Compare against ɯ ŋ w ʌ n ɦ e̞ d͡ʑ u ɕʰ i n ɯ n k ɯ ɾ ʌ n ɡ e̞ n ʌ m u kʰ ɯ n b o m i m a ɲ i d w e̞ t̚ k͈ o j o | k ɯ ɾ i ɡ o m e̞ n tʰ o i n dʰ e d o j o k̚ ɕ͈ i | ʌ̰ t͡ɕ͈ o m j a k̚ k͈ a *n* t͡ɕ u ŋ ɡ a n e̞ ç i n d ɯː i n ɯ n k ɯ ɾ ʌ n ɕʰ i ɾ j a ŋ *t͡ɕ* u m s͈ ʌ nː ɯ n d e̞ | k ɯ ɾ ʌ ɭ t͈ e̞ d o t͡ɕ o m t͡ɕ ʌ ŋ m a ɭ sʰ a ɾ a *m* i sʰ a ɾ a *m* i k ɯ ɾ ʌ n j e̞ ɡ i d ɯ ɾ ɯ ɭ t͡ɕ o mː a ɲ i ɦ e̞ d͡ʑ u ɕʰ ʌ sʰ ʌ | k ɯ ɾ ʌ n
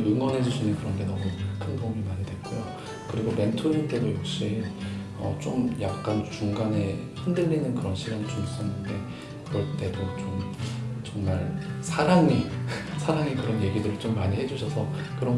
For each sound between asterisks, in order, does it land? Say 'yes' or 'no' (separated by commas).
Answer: yes, yes, no, no